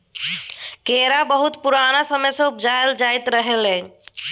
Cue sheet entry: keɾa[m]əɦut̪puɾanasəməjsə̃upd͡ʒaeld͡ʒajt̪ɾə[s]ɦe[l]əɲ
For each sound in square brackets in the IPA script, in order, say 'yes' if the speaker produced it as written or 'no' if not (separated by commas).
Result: no, no, yes